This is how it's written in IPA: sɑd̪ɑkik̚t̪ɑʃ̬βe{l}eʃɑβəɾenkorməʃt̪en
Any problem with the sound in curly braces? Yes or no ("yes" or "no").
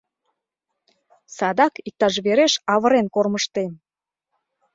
yes